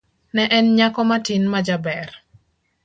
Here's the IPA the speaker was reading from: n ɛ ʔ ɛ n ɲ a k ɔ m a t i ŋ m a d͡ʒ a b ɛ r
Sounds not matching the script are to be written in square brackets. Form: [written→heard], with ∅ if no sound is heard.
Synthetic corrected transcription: n ɛ ʔ ɛ n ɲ a k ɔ m a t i [ŋ→n] m a d͡ʒ a b ɛ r